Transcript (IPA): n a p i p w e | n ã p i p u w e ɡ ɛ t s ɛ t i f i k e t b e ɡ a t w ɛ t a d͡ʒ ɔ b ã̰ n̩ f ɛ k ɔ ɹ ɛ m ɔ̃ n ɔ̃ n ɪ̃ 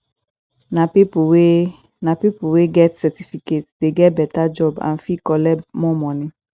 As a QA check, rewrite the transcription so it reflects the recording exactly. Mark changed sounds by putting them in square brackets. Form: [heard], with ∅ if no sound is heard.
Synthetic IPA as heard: n a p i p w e | n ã p i p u w e ɡ ɛ t s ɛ t i f i k e t [d] e ɡ [ɛ] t [b] ɛ t a d͡ʒ ɔ b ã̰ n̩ f [i] k ɔ [l] ɛ m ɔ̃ [m] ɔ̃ n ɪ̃